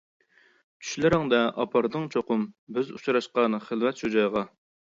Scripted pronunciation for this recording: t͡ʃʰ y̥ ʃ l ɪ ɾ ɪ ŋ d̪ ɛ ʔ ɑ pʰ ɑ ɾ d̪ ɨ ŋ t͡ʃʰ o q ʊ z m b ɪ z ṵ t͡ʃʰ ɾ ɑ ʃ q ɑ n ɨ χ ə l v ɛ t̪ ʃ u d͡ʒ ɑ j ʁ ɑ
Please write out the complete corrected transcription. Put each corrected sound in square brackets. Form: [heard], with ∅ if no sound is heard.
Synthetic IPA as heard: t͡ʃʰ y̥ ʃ l ɪ ɾ ɪ ŋ d̪ ɛ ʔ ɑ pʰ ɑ ɾ d̪ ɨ ŋ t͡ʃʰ o q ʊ [∅] m b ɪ z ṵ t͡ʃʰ ɾ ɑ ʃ q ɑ n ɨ χ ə l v ɛ t̪ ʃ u d͡ʒ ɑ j ʁ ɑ